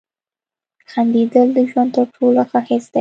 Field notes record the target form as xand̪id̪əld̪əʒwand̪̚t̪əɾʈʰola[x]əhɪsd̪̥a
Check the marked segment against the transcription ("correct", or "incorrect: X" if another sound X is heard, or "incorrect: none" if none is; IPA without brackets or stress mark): correct